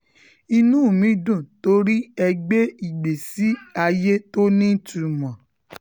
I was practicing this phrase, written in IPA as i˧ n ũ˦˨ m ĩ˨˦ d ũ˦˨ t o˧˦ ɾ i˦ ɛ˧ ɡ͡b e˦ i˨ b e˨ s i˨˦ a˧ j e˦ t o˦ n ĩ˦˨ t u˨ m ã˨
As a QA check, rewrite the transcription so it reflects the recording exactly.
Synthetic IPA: i˧ n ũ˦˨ m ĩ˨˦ d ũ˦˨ t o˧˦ ɾ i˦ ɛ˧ ɡ͡b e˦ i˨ ɡ͡b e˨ s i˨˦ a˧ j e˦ t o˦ n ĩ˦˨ t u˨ m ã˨